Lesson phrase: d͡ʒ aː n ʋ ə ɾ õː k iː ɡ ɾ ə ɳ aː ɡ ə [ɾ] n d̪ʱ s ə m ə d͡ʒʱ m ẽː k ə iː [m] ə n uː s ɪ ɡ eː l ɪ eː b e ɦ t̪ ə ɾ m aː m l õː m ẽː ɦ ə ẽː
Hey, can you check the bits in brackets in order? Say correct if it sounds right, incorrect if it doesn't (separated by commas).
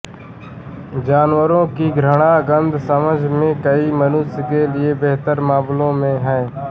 incorrect, correct